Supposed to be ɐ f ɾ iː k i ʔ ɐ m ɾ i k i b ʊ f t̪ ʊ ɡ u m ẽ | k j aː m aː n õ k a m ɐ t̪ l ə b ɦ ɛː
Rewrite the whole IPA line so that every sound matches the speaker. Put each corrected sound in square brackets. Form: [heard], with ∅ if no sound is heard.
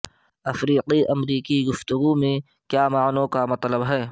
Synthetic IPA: ɐ f ɾ iː [q] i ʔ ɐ m ɾ [iː] k i [ɡ] ʊ f t̪ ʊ ɡ u m ẽ | k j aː m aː n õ k a m ɐ t̪ l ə b ɦ ɛː